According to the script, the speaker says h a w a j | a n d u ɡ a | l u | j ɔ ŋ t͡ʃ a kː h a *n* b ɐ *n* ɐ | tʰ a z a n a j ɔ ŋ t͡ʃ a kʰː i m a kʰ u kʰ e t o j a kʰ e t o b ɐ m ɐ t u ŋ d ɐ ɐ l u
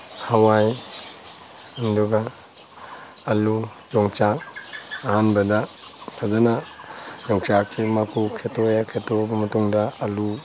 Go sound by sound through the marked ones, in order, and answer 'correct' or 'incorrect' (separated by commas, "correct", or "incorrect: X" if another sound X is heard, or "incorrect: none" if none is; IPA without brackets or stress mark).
correct, incorrect: d